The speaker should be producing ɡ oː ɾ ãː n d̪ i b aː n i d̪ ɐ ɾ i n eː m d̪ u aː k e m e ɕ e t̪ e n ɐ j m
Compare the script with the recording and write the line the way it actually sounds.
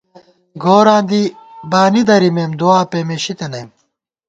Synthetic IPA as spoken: ɡ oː ɾ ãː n d̪ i b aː n i d̪ ɐ ɾ i m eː m d̪ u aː p e m e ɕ i t̪ e n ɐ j m